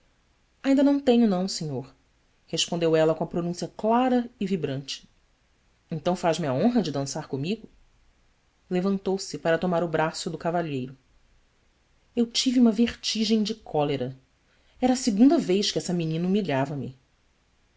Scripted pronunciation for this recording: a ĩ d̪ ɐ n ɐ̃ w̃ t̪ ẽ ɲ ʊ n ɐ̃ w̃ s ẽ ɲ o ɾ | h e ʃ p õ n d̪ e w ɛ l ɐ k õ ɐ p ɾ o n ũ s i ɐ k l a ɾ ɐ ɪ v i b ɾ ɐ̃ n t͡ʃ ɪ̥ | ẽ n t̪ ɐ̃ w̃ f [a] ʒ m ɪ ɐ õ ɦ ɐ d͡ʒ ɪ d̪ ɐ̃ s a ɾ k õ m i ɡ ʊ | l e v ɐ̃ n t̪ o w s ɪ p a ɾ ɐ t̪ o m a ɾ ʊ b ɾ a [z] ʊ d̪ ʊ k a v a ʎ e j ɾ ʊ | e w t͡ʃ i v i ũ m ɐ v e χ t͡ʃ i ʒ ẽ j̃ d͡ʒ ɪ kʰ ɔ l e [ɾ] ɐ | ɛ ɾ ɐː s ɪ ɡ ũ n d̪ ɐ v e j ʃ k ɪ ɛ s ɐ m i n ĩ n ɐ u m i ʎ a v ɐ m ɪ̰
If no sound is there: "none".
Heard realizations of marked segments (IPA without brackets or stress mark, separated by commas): a, s, ɾ